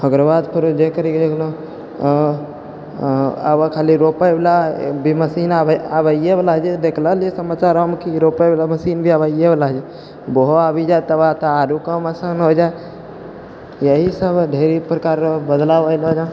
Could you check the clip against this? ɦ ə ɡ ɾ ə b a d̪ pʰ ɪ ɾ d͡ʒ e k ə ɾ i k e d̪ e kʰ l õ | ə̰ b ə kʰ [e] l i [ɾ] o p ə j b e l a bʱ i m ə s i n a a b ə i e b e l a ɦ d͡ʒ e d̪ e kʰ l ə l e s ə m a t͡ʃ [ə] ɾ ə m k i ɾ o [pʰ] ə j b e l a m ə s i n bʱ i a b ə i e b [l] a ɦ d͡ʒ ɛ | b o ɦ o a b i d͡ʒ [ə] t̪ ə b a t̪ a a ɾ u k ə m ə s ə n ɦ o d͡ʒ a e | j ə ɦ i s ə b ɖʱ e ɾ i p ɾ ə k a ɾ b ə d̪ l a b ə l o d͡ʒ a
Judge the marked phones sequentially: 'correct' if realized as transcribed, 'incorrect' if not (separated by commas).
incorrect, correct, incorrect, incorrect, correct, incorrect